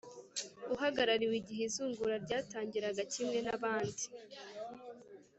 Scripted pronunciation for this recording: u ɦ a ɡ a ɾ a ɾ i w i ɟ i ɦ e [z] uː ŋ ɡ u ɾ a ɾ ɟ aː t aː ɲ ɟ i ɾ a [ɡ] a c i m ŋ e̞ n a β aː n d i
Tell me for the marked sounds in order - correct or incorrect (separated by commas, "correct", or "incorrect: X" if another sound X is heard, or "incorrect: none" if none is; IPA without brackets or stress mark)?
correct, correct